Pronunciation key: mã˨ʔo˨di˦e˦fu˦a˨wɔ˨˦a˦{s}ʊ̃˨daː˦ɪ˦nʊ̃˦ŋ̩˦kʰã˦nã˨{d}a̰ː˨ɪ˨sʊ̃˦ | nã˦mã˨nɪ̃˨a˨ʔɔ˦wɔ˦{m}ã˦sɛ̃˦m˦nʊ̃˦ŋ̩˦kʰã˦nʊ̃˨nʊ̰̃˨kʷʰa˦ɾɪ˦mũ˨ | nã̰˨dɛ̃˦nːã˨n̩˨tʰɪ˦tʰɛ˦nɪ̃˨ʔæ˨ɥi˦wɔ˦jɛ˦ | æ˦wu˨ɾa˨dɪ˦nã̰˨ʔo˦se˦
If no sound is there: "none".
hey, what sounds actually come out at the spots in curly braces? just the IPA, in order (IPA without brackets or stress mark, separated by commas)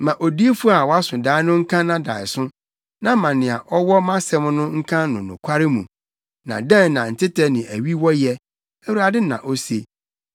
s, d, m